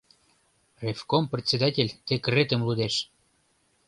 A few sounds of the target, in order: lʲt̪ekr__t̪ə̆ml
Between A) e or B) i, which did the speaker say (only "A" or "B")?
A